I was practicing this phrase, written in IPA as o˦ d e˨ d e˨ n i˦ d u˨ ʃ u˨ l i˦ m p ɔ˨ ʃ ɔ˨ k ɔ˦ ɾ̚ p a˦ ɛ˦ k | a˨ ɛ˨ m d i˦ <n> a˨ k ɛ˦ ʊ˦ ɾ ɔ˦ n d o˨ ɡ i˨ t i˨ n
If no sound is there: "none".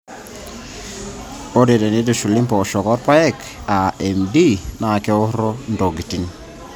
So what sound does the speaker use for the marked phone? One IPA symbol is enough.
n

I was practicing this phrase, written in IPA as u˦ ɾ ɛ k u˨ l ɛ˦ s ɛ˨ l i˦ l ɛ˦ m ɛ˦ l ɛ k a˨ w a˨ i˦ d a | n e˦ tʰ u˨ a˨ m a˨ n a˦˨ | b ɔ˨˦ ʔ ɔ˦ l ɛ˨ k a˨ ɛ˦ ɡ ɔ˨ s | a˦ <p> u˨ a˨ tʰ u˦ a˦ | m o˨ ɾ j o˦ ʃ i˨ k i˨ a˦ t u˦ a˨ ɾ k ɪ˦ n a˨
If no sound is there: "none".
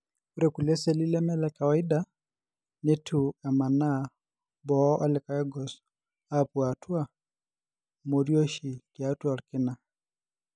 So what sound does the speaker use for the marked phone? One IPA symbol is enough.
p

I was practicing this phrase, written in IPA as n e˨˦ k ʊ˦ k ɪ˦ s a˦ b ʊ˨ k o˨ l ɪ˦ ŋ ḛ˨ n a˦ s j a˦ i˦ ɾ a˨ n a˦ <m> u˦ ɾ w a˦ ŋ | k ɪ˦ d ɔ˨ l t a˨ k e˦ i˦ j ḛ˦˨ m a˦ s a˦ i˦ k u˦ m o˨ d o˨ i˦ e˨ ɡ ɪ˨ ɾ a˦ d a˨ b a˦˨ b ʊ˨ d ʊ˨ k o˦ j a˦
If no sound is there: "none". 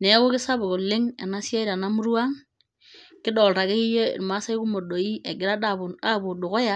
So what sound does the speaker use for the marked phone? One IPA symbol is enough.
m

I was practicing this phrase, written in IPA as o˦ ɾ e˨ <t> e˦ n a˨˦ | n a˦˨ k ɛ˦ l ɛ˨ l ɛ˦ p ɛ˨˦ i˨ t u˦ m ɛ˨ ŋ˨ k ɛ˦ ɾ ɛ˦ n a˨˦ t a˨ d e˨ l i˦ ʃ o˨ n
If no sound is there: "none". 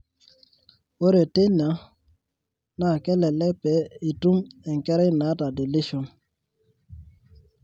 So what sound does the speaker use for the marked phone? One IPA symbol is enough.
t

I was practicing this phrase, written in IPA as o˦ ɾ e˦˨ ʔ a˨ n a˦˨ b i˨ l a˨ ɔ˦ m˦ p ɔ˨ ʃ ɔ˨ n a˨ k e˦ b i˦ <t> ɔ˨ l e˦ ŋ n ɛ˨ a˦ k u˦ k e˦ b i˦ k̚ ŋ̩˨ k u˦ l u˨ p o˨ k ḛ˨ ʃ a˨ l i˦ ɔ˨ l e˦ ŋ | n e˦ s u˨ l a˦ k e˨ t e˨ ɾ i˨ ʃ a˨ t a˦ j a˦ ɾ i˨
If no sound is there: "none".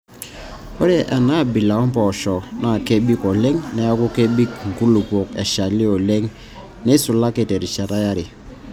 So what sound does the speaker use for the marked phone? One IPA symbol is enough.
k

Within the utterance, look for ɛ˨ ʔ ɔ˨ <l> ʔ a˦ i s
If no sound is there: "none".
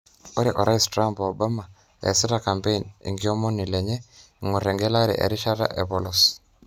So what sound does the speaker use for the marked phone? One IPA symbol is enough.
ɾ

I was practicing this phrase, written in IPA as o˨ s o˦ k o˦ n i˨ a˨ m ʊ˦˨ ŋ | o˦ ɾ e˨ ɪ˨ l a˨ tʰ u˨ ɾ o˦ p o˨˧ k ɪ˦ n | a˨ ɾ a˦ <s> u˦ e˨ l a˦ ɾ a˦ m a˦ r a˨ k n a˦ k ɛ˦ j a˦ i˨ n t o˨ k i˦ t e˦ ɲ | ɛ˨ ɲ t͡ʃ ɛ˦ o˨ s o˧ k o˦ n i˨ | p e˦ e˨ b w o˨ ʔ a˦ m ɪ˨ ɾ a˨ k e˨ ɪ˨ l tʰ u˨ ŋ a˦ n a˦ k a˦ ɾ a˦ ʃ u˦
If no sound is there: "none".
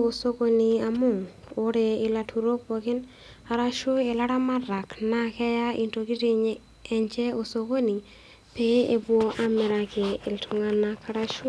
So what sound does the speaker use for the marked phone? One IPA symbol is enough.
ʃ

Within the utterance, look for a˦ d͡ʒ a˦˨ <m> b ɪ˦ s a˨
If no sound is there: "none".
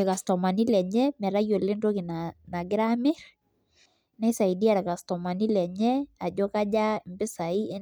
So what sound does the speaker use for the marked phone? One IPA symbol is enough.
m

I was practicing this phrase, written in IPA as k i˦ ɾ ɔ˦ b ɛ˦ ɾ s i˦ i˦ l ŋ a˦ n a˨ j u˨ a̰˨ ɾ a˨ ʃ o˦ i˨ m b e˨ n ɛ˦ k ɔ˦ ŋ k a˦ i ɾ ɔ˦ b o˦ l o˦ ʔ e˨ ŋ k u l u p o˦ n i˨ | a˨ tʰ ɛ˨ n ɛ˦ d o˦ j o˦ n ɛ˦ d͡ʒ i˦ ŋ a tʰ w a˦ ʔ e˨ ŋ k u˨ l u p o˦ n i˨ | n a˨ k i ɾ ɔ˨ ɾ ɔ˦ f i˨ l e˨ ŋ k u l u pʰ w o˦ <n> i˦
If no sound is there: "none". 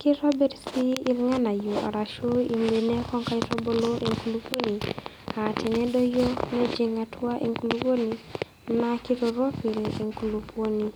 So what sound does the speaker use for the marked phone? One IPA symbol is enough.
n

